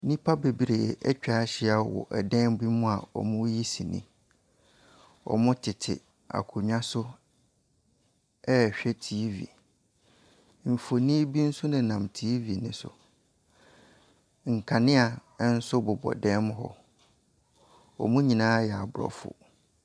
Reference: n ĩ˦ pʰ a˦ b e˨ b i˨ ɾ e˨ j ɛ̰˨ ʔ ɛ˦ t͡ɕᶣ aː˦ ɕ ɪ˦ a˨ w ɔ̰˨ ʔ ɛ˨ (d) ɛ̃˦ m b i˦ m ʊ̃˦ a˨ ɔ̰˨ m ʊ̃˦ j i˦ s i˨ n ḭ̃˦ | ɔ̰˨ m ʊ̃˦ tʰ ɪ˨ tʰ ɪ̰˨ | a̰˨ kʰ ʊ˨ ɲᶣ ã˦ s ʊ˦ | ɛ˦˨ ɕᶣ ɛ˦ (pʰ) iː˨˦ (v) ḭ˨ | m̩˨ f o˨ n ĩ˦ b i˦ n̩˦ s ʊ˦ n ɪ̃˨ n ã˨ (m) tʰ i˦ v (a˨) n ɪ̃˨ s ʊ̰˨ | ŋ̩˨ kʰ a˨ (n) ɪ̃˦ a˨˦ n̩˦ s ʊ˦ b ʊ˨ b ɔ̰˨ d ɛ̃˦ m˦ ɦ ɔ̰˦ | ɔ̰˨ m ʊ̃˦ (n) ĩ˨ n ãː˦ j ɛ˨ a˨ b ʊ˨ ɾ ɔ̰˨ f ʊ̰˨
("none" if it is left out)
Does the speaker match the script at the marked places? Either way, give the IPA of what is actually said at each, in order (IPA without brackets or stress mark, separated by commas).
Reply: d, tʰ, v, m, i˨, n, ɲ